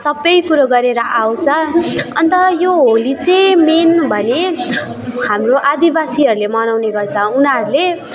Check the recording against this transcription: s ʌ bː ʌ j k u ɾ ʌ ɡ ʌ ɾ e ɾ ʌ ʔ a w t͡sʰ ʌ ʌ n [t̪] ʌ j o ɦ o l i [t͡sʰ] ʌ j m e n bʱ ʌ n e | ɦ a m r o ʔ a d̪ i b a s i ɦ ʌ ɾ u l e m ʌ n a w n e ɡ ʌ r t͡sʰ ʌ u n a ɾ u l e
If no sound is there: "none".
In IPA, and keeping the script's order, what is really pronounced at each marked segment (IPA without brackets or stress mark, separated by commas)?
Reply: t̪, t͡s